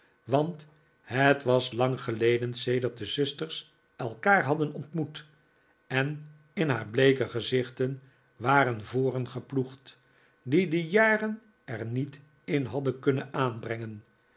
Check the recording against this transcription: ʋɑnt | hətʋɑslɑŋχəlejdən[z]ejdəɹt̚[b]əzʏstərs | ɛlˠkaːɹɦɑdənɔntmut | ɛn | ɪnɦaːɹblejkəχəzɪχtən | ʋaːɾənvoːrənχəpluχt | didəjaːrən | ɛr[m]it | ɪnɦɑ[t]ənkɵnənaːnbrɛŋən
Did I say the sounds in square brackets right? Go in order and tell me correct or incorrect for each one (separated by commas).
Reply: incorrect, incorrect, incorrect, incorrect